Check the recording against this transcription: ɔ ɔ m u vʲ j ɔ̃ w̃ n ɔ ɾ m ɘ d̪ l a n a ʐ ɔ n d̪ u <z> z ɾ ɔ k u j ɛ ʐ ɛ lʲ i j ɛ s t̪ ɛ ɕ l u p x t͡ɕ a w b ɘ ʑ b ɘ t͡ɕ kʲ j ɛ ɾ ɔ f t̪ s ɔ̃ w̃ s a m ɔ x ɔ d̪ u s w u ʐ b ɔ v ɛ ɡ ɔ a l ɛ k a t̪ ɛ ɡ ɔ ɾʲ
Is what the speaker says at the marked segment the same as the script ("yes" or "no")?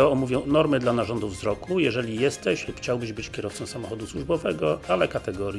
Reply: no